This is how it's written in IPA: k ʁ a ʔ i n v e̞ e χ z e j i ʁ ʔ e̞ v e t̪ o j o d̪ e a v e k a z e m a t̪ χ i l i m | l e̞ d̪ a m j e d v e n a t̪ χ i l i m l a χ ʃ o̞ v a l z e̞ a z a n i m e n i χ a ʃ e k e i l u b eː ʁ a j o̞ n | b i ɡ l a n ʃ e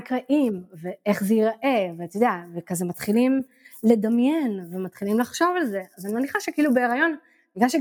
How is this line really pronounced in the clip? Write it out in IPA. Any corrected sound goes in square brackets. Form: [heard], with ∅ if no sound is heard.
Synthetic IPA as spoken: k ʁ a ʔ i [m] v e̞ e χ z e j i ʁ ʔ e̞ v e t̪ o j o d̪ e a v e k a z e m a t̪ χ i l i m | l e̞ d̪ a m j e [n] v e [m] a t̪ χ i l i m l a χ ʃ o̞ v a l z e̞ a z a n i m e n i χ a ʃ e k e i l u b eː ʁ a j o̞ n | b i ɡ l a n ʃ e